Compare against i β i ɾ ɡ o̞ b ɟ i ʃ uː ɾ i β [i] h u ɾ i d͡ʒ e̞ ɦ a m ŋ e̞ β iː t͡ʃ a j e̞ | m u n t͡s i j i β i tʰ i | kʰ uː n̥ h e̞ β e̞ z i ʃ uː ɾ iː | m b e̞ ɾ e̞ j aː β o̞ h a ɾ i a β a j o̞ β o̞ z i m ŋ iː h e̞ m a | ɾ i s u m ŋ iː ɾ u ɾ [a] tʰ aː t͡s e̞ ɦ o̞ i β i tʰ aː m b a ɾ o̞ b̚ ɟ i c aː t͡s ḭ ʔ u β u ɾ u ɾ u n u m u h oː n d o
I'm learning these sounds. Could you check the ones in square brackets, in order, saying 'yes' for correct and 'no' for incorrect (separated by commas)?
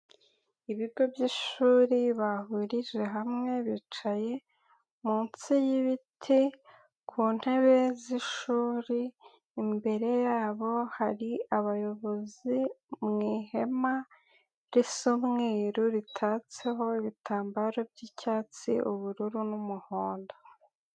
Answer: no, no